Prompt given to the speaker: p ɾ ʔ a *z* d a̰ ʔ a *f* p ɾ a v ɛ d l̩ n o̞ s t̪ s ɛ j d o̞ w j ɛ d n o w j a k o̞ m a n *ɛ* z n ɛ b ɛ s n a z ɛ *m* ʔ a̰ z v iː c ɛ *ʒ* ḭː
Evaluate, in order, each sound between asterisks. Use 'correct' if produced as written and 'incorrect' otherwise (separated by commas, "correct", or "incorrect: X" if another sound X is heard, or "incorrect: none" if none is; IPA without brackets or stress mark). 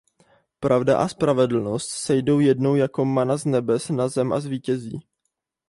incorrect: v, incorrect: s, incorrect: a, correct, incorrect: z